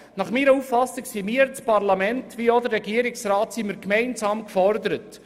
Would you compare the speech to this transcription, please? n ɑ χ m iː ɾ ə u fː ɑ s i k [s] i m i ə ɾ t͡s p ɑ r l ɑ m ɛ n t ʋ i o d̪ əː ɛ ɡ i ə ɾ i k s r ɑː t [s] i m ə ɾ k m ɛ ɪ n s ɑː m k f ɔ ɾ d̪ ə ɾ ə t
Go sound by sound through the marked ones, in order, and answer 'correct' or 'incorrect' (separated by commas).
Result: correct, correct